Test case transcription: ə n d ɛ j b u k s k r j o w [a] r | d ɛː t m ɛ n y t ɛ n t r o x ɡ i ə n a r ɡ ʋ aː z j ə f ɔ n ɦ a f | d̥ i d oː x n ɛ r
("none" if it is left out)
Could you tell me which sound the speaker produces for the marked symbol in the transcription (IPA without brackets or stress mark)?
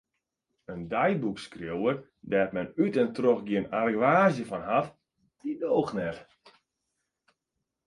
ə